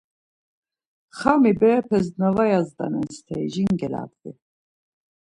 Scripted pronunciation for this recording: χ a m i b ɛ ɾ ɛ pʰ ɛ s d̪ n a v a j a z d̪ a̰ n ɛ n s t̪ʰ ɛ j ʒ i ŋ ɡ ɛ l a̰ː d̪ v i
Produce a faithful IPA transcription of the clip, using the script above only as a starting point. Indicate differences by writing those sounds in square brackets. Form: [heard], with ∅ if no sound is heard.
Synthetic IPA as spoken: χ a m i b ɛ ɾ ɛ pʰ ɛ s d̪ n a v a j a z d̪ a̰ n ɛ n s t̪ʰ ɛ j ʒ i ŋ ɡ ɛ l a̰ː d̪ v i